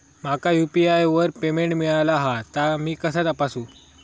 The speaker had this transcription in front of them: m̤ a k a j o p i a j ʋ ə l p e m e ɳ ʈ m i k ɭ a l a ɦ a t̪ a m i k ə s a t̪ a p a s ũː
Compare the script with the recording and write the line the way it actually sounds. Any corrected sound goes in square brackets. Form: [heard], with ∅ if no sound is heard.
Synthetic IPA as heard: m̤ a k a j [u] p i a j ʋ ə [ɾ] p e m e ɳ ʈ m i [∅] ɭ a l a ɦ a t̪ a m [iː] k ə s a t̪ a p a s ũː